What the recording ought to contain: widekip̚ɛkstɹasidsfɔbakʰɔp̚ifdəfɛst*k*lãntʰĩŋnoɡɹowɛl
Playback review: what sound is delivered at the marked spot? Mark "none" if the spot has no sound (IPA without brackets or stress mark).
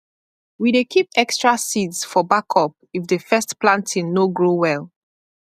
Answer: p